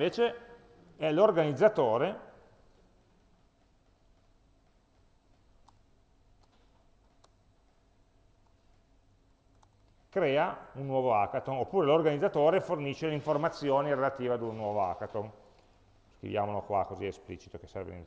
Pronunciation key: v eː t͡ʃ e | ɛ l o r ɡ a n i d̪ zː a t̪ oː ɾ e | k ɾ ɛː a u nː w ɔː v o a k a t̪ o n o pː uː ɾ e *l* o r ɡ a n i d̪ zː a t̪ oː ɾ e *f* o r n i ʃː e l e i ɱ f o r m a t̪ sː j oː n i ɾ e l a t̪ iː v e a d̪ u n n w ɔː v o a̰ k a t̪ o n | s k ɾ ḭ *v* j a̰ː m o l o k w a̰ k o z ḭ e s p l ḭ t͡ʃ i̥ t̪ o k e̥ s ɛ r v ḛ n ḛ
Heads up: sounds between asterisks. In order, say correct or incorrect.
correct, correct, correct

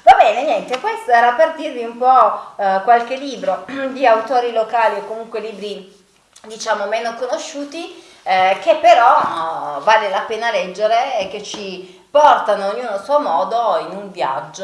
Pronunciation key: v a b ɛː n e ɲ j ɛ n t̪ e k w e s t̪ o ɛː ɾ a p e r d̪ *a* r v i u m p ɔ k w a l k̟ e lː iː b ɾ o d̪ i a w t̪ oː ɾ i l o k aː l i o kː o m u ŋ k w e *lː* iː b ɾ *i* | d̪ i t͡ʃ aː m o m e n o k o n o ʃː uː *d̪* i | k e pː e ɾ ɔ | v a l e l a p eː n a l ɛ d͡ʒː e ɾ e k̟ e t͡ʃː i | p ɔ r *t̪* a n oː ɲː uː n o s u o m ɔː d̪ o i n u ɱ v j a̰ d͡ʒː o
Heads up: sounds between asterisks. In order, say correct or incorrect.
incorrect, incorrect, correct, incorrect, correct

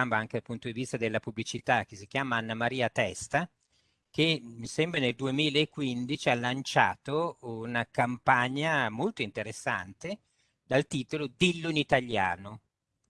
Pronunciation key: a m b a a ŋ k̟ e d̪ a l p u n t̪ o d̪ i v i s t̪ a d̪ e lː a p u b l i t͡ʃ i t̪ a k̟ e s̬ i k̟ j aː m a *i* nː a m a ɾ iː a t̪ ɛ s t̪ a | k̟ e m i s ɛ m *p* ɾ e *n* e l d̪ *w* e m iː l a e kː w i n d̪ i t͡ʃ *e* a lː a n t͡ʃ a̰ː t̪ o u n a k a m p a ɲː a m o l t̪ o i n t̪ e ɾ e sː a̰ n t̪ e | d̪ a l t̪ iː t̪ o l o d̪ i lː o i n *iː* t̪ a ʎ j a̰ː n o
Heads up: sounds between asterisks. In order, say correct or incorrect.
incorrect, incorrect, correct, incorrect, incorrect, incorrect

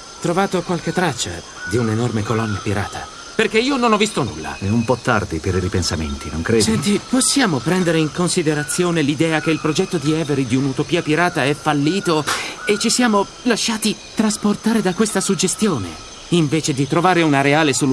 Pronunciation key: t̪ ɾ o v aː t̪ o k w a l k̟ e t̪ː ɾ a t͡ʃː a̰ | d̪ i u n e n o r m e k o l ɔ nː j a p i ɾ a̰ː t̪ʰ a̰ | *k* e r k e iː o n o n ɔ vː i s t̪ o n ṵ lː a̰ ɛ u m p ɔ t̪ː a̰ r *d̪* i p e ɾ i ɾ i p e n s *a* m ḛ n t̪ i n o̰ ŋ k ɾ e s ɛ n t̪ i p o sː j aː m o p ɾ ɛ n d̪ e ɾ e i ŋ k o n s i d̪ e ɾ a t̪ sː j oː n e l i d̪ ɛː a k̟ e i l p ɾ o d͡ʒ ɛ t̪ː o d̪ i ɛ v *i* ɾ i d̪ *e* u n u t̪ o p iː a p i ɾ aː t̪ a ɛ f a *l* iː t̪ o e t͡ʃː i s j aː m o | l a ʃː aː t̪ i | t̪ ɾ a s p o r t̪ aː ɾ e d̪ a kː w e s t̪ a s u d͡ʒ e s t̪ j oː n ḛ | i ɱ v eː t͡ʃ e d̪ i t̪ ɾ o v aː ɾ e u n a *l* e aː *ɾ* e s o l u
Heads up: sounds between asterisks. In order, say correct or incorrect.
incorrect, correct, correct, incorrect, incorrect, incorrect, incorrect, incorrect

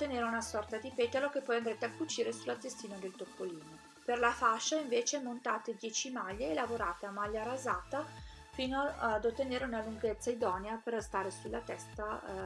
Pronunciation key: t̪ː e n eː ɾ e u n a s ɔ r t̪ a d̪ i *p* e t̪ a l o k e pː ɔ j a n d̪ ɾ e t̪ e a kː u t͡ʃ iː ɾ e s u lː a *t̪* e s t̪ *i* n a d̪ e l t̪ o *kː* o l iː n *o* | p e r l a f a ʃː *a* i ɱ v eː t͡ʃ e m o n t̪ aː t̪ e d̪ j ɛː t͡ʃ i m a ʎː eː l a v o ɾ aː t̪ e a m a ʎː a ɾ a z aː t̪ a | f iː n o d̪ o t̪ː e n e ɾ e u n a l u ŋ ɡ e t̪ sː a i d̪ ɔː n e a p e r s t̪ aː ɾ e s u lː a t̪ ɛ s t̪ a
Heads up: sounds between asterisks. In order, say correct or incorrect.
correct, correct, incorrect, incorrect, correct, correct

